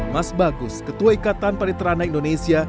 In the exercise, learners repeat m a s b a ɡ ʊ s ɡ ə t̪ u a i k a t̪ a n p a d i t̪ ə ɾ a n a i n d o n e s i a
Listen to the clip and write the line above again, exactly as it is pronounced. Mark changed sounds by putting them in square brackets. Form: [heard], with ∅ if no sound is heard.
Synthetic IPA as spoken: m a s b a ɡ ʊ s [k] ə t̪ u a i k a t̪ a n p a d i t̪ ə ɾ a n a i n d o n e s i a